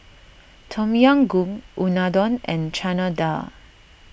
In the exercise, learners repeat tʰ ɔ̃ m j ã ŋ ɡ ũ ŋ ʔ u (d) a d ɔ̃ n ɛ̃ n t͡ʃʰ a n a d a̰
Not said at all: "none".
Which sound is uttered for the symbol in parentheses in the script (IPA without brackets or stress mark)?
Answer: n